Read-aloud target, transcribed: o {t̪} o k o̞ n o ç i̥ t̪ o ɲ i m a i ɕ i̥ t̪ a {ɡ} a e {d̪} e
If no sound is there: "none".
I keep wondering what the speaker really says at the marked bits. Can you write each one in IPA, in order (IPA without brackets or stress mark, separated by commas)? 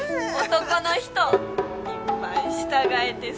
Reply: t̪, ɡ, t̪